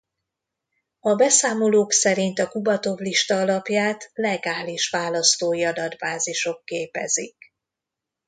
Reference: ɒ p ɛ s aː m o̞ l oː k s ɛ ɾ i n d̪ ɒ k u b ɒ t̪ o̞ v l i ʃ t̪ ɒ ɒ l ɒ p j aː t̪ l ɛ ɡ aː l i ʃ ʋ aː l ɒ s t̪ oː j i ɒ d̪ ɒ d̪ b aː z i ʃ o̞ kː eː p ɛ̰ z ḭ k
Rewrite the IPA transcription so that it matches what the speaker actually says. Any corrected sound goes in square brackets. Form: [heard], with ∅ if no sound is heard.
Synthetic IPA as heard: ɒ [b] ɛ s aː m o̞ l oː k s ɛ ɾ i n [t̪] ɒ k u b ɒ t̪ o̞ v l i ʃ t̪ ɒ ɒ l ɒ p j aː t̪ l ɛ ɡ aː l i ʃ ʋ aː l ɒ s t̪ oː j i ɒ d̪ ɒ d̪ b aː z i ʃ o̞ kː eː p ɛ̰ z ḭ k